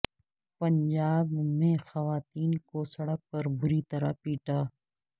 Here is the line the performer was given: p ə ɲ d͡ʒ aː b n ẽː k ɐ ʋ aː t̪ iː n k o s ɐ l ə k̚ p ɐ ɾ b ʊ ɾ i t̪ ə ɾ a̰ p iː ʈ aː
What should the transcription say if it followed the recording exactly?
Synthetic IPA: p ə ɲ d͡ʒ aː b m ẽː x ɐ ʋ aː t̪ iː n k o s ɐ ɽ ə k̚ p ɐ ɾ b ʊ ɾ i t̪ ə ɾ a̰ p iː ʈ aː